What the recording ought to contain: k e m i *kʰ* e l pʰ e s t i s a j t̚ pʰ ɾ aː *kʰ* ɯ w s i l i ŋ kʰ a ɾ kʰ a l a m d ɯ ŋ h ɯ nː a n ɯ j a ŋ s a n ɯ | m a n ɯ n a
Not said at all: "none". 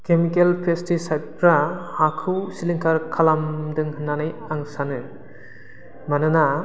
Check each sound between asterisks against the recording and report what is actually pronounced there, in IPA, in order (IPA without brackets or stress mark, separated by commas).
k, kʰ